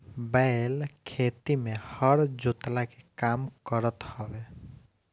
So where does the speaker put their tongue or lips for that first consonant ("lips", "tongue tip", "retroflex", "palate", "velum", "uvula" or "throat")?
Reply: lips